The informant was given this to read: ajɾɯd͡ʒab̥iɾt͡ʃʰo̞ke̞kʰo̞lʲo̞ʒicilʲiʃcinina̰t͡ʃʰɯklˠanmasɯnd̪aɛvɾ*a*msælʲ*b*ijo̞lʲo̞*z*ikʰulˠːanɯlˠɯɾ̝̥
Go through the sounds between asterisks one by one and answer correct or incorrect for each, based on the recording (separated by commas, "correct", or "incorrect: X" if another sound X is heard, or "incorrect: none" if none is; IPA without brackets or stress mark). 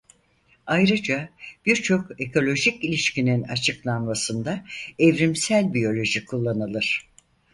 incorrect: i, correct, incorrect: ʒ